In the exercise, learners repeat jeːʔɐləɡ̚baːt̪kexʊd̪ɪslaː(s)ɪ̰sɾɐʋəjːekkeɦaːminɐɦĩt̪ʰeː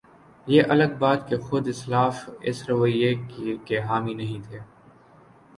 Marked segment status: incorrect: f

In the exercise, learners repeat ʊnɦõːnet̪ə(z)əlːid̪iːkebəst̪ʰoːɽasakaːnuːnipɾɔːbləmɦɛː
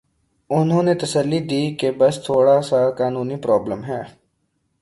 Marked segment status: incorrect: s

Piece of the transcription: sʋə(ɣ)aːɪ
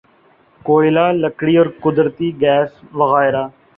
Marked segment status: correct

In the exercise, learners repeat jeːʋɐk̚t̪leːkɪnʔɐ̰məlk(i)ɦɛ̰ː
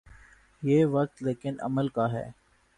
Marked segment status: incorrect: a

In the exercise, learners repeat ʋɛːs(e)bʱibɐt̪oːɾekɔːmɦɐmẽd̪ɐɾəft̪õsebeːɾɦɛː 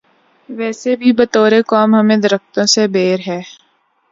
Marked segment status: correct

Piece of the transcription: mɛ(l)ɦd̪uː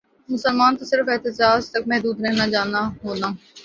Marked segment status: incorrect: none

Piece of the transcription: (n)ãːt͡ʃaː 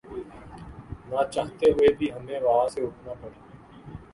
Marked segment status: correct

